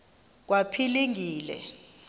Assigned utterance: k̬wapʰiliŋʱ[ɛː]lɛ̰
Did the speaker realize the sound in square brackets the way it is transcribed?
no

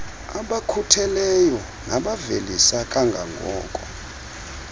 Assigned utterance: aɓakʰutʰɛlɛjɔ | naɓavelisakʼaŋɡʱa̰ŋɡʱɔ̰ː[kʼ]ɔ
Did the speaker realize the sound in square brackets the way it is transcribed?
yes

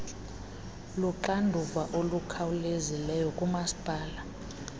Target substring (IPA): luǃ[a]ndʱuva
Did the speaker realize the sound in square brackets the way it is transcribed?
yes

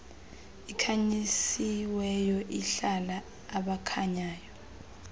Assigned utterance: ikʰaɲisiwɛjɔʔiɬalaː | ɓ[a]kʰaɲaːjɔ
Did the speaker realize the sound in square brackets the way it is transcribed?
yes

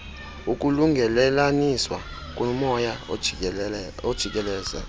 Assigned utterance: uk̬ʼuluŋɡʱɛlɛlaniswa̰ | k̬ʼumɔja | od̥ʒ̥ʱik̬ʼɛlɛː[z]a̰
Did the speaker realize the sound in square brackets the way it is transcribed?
yes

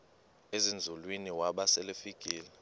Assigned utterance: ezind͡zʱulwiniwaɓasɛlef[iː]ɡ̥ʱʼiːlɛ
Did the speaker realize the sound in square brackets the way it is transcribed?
no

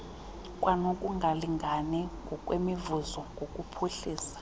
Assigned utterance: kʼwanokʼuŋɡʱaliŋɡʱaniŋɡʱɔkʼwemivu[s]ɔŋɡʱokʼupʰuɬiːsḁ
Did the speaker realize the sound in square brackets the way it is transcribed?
no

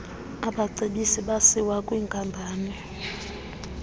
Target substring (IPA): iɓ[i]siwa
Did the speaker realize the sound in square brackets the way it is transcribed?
no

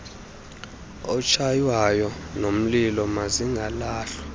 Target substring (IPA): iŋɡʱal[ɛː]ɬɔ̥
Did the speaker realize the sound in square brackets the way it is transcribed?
no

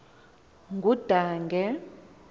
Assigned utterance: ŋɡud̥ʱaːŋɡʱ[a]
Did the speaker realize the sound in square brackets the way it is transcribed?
no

